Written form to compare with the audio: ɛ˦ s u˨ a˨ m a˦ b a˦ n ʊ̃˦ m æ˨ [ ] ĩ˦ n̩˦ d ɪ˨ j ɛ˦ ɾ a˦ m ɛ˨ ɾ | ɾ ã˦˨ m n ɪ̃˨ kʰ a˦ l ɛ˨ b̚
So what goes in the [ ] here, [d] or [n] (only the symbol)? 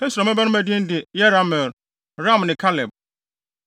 d